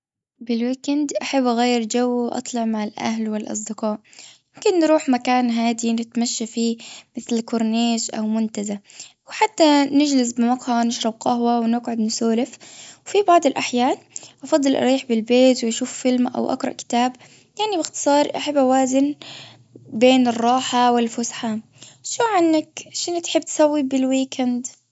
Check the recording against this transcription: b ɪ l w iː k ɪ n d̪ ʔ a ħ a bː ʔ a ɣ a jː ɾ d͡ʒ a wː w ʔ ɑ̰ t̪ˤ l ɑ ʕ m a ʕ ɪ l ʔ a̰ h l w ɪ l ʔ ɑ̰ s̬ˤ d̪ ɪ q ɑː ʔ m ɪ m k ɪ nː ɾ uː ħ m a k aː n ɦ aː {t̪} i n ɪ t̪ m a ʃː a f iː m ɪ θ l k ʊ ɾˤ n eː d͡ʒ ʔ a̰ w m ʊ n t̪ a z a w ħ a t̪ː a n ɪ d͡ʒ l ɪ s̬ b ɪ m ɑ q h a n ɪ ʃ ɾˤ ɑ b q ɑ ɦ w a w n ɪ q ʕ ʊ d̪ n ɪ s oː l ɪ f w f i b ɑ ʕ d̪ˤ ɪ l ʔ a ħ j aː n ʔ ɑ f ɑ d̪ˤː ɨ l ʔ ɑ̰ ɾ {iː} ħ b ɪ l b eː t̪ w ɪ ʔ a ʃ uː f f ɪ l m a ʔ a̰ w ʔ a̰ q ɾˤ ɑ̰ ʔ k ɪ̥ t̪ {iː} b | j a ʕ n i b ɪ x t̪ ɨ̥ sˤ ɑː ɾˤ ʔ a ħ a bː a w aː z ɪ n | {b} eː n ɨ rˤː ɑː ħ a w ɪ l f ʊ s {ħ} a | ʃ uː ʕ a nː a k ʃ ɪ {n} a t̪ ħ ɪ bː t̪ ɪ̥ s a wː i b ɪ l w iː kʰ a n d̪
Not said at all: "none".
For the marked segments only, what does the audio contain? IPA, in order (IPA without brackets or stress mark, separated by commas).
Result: d̪, iː, aː, b, ħ, n